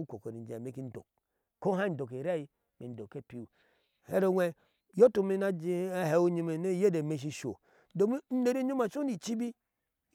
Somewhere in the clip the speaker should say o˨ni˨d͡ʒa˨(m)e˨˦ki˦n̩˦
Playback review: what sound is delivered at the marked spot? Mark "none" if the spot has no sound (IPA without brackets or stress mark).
m